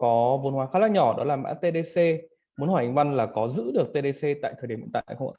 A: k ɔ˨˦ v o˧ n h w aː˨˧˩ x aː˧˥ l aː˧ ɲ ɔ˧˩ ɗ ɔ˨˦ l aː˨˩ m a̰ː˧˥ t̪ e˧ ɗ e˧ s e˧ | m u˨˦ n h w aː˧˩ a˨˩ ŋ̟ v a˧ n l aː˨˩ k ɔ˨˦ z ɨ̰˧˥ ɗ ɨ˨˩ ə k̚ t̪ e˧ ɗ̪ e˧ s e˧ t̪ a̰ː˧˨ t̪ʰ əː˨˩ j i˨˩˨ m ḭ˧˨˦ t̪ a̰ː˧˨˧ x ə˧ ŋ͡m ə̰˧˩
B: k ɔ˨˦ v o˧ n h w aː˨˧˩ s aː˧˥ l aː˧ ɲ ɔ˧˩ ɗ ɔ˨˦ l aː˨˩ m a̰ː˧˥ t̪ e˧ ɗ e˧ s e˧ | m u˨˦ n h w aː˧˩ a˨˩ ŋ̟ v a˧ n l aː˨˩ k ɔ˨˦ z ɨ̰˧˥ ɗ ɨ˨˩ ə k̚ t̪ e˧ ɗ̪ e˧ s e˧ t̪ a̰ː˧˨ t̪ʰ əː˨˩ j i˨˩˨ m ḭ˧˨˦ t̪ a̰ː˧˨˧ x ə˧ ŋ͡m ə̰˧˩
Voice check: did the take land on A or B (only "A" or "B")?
A